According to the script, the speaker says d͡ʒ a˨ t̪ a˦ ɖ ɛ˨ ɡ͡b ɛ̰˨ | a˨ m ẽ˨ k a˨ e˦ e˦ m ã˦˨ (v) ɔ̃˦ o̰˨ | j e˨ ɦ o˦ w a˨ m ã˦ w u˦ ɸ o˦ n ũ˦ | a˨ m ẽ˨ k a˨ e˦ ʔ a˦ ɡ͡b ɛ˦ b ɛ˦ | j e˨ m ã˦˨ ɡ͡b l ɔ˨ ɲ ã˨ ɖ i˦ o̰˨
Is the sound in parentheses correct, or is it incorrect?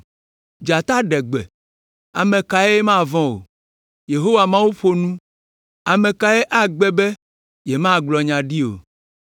correct